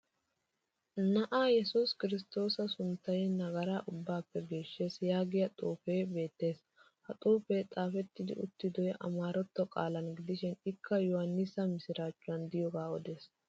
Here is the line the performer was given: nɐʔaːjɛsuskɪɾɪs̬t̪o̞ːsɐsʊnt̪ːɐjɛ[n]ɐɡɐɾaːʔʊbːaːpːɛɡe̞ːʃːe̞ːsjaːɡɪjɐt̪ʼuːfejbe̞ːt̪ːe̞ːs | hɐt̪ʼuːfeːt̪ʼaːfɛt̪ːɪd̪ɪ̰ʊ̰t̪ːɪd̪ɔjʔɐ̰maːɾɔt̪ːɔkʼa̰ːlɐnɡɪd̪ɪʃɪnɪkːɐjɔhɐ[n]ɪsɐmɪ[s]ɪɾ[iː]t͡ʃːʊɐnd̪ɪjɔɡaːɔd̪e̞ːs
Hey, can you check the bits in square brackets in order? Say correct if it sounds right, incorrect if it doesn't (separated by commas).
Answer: correct, incorrect, correct, incorrect